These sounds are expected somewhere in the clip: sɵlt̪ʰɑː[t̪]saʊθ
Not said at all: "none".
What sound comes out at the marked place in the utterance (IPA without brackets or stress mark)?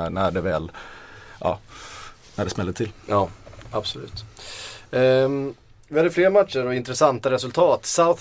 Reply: t̪